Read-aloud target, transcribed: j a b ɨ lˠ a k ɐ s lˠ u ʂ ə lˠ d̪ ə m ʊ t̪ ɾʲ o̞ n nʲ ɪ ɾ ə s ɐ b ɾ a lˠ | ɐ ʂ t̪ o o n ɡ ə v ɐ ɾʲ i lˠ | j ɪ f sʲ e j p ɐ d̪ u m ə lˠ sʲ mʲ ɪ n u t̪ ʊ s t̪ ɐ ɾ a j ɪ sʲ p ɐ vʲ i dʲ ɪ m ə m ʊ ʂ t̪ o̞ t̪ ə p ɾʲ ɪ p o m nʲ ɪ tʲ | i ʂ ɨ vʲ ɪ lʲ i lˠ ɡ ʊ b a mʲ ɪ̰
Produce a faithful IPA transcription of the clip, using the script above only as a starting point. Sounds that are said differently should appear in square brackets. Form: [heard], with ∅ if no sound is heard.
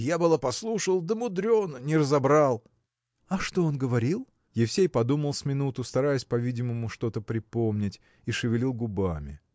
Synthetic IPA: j a b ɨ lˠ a [p] ɐ s lˠ u ʂ ə lˠ d̪ ə m ʊ [d̪] ɾʲ o̞ n nʲ ɪ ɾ ə [z] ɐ b ɾ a lˠ | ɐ ʂ t̪ o o n ɡ ə v ɐ ɾʲ i lˠ | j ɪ f sʲ e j p ɐ d̪ u m ə lˠ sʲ mʲ ɪ n u t̪ ʊ s t̪ ɐ ɾ a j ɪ sʲ p ɐ vʲ i dʲ ɪ m ə m ʊ ʂ t̪ o̞ t̪ ə p ɾʲ ɪ p o m nʲ ɪ tʲ | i ʂ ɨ vʲ ɪ lʲ i lˠ ɡ ʊ b a mʲ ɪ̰

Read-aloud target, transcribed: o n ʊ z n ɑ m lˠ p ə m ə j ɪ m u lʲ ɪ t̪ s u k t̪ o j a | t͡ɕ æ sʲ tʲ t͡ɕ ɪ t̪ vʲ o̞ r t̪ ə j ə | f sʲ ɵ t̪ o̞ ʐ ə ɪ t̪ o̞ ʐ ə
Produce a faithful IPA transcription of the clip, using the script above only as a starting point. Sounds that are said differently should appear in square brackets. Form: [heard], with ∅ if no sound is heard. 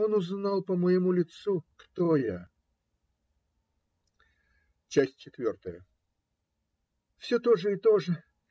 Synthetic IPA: o n ʊ z n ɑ [∅] lˠ p ə m ə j ɪ m u lʲ ɪ t̪ s u k t̪ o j a | t͡ɕ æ sʲ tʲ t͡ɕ ɪ t̪ vʲ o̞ r t̪ ə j ə | f sʲ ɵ t̪ o̞ ʐ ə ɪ t̪ o̞ ʐ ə

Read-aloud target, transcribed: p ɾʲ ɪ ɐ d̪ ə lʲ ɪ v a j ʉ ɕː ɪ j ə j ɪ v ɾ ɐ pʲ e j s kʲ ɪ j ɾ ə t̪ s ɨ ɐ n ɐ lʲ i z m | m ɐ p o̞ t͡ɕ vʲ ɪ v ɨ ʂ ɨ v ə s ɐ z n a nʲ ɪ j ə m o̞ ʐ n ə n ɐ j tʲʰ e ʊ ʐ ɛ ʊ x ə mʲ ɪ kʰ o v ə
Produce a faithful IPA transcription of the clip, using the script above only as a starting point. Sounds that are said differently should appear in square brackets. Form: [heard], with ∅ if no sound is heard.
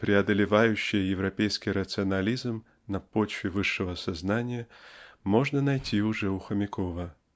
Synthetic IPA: p ɾʲ ɪ ɐ d̪ ə lʲ ɪ v a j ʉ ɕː ɪ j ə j ɪ v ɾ ɐ pʲ e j s kʲ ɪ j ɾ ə t̪ s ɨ ɐ n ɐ lʲ i z m | [n] ɐ p o̞ t͡ɕ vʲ ɪ v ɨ [ʂː] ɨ v ə s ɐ z n a nʲ ɪ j ə m o̞ ʐ n ə n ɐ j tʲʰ [i] ʊ ʐ ɛ ʊ x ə mʲ ɪ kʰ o v ə

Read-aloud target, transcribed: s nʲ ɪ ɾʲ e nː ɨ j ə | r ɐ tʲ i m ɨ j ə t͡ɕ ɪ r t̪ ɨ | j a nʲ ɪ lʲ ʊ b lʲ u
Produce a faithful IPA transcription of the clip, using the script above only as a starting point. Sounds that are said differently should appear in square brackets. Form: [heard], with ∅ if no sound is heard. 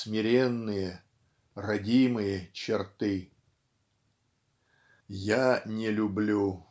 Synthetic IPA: s [mʲ] ɪ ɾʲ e nː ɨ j ə | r ɐ [dʲ] i m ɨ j ə t͡ɕ ɪ r t̪ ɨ | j a nʲ ɪ lʲ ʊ b lʲ u

